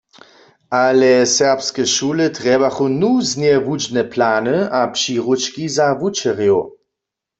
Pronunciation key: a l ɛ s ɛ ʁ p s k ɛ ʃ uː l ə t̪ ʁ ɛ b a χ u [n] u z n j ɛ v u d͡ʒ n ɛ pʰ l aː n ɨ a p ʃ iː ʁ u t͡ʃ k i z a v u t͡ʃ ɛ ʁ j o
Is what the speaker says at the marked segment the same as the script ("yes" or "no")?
yes